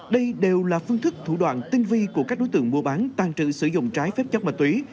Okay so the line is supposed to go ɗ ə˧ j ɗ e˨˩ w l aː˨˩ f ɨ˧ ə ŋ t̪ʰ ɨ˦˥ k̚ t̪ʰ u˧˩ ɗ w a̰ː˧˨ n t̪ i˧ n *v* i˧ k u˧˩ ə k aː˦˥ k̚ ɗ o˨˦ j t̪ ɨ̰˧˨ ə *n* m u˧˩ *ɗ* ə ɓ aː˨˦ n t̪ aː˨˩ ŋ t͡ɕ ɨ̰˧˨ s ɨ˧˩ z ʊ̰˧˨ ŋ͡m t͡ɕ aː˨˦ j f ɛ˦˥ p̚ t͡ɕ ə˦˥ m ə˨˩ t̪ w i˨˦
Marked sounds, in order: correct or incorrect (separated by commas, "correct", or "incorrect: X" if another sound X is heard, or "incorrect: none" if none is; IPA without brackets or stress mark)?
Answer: correct, incorrect: ŋ, incorrect: none